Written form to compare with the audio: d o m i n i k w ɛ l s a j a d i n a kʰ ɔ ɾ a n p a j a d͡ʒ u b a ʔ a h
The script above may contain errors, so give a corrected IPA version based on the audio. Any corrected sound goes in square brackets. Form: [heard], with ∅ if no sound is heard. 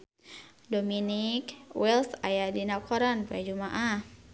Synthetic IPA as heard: d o m i n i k w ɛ l s a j a d i n a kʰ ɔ ɾ a n p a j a d͡ʒ u [m] a ʔ a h